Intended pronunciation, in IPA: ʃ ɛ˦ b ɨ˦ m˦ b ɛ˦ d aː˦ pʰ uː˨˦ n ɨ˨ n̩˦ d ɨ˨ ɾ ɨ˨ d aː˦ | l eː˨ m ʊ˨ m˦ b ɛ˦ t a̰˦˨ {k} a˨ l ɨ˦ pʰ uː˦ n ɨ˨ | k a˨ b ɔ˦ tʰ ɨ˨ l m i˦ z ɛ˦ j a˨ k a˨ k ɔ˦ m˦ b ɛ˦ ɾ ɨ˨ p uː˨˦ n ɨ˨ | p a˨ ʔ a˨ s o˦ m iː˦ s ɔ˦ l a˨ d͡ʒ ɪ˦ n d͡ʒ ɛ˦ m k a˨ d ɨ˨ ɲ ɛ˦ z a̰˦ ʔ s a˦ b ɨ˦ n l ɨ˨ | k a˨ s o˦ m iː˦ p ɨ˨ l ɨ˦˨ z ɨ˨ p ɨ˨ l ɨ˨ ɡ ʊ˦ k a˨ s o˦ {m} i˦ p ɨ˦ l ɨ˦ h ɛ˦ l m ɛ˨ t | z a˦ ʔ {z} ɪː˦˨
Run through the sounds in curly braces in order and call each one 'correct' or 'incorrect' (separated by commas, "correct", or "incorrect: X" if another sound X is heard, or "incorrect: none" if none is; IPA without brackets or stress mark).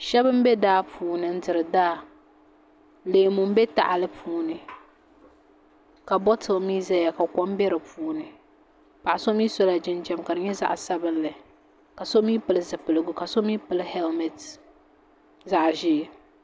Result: incorrect: ʔ, correct, incorrect: ʒ